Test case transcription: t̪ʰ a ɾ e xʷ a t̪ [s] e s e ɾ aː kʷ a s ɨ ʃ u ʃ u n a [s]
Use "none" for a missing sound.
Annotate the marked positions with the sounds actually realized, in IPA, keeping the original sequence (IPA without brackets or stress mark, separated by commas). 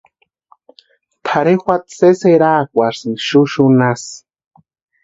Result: s, s